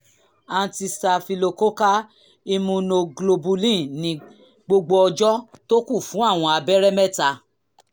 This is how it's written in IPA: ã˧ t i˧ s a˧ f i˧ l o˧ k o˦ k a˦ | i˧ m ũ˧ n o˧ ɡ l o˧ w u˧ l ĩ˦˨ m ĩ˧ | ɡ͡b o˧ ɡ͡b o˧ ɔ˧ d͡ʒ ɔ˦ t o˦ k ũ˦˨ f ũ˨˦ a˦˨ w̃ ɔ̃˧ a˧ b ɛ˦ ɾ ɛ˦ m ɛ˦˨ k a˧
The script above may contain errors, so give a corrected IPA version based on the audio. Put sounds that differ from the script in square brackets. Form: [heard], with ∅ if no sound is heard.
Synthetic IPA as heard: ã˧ t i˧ s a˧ f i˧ l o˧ k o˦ k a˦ | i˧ m ũ˧ n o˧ ɡ l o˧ [b] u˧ l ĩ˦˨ [n] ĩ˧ | ɡ͡b o˧ ɡ͡b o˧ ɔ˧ d͡ʒ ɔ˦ t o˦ k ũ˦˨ f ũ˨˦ a˦˨ w̃ ɔ̃˧ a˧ b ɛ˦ ɾ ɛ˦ m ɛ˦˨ [t] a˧